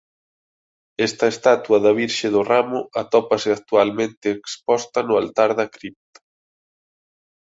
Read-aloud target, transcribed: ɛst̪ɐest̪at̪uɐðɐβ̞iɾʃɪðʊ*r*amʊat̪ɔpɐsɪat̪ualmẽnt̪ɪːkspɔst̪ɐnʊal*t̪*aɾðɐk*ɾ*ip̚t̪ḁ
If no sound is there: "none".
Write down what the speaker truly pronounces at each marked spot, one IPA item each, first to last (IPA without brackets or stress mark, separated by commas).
r, t̪, ɾ